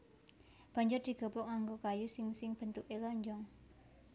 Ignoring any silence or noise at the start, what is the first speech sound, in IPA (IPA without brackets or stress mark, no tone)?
b̥